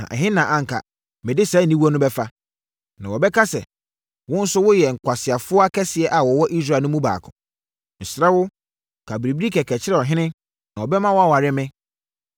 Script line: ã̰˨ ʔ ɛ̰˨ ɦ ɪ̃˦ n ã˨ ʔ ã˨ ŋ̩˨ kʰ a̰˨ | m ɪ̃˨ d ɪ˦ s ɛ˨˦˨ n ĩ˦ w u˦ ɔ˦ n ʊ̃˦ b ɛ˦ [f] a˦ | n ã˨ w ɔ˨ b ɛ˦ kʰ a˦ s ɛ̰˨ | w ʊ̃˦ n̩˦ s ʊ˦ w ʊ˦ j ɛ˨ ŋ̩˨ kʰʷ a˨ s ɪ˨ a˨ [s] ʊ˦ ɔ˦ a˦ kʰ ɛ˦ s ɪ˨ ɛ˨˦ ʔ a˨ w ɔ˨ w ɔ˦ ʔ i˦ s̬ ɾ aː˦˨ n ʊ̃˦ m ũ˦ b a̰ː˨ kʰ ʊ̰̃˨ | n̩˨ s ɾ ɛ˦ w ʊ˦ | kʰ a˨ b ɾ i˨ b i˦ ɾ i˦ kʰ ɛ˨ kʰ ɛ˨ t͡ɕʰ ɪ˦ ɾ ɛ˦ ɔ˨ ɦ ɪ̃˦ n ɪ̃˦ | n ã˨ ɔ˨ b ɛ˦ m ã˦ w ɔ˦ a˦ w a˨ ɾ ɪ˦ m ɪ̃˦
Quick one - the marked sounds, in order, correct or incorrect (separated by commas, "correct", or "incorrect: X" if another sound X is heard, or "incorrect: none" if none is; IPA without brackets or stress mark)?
correct, incorrect: f